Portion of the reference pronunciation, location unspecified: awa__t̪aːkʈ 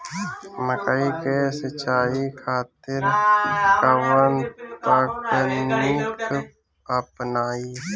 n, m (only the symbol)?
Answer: n